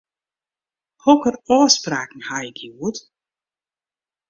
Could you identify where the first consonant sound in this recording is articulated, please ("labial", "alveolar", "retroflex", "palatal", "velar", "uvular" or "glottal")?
glottal